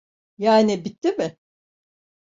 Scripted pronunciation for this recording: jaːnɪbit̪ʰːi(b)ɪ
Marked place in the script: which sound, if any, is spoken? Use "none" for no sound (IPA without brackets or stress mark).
m